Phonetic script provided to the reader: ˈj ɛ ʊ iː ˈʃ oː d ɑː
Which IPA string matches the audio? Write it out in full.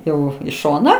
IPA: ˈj ɛ ʊ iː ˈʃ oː n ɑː